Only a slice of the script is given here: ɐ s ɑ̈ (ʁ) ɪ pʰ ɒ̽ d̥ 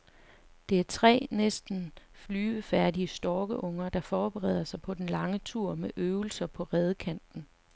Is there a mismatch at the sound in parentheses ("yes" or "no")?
yes